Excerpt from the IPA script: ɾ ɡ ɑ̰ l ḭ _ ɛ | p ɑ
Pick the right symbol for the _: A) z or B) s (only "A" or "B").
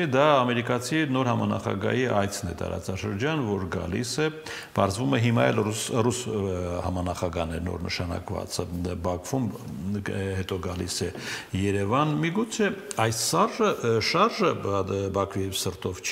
B